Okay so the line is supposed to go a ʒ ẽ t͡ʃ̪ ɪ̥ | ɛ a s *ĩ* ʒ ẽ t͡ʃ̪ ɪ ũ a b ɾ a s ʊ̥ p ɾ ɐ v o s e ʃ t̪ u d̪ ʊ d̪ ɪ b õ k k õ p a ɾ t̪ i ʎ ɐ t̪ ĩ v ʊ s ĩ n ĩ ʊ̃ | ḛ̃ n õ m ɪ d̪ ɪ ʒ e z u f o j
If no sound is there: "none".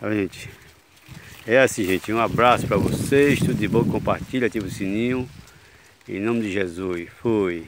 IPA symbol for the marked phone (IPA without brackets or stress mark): ĩ